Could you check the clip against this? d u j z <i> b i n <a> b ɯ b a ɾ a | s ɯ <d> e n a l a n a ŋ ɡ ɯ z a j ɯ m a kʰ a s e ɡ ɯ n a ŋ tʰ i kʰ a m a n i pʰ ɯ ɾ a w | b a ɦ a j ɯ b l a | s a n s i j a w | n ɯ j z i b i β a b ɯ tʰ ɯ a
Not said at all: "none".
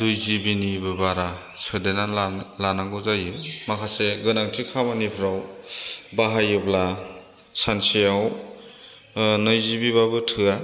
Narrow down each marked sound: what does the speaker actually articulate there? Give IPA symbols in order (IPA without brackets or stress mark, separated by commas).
i, i, d